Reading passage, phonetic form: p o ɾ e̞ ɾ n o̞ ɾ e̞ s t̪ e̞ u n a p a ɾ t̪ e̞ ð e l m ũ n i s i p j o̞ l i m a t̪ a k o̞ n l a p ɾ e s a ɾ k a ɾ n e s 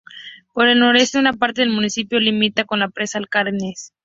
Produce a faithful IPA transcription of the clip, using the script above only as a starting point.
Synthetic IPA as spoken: p o ɾ e̞ l n o̞ ɾ e̞ s t̪ e̞ u n a p a ɾ t̪ e̞ ð e l m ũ n i s i p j o̞ l i m i t̪ a k o̞ n l a p ɾ e s a l k a ɾ n e s

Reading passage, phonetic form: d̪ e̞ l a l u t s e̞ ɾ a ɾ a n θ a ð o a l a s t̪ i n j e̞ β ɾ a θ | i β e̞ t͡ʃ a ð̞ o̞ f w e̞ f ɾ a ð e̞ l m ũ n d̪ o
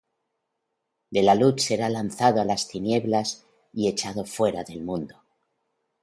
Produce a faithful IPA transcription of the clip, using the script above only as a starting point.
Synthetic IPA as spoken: d̪ e̞ l a l u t s e̞ ɾ a l a n θ a ð o a l a s t̪ i n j e̞ β l a s | i e̞ t͡ʃ a ð̞ o̞ f w e̞ ɾ a ð e̞ l m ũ n d̪ o

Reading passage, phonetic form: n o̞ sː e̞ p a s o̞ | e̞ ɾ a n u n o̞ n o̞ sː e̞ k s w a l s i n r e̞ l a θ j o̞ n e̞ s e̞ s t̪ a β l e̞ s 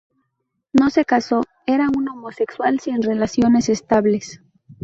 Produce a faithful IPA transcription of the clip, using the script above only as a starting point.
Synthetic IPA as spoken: n o̞ s e̞ k a s o̞ | e̞ ɾ a u n o̞ m o̞ s e̞ k s w a l s i n r e̞ l a s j o̞ n e̞ s e̞ s t̪ a β l e̞ s

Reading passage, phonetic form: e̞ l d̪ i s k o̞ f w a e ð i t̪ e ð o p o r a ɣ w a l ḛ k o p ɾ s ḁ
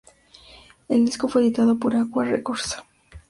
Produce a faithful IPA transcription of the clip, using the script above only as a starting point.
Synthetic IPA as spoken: e̞ l d̪ i s k o̞ f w e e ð i t̪ a ð o p o ɾ a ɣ w a r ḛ k o ɾ s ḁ

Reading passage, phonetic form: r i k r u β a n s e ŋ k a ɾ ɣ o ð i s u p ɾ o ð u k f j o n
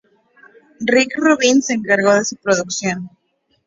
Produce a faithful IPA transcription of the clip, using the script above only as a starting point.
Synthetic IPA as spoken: r i k r u β i n s e ŋ k a ɾ ɣ o ð e s u p ɾ o ð u k s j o n

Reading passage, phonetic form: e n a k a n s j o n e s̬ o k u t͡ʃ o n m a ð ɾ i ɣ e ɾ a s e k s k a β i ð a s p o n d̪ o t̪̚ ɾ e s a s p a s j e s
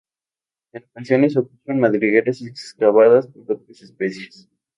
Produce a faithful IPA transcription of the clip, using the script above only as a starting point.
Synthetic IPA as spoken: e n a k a n s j o n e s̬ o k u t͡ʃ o n m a ð ɾ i ɣ e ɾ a s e k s k a β a ð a s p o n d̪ o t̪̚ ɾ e s e s p e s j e s

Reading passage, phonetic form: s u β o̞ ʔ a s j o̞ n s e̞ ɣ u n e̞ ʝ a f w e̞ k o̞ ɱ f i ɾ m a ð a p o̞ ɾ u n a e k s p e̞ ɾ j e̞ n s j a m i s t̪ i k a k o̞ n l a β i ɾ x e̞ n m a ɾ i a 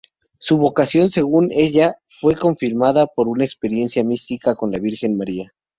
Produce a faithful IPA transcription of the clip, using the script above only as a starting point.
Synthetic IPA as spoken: s u β o̞ k a s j o̞ n s e̞ ɣ u n e̞ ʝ a f w e̞ k o̞ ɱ f i ɾ m a ð a p o̞ ɾ u n a e k s p e̞ ɾ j e̞ n s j a m i s t̪ i k a k o̞ n l a β i ɾ x e̞ n m a ɾ i a

